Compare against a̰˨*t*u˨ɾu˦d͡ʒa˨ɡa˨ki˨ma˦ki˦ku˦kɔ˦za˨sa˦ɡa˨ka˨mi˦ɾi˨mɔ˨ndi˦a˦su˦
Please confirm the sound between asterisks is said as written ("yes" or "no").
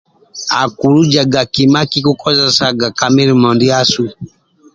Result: no